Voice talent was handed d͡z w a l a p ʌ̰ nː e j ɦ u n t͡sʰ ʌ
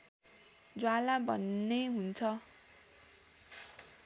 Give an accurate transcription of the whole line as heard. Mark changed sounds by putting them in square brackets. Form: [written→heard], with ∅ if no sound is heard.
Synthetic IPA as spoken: d͡z w a l a [p→b] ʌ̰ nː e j ɦ u n t͡sʰ ʌ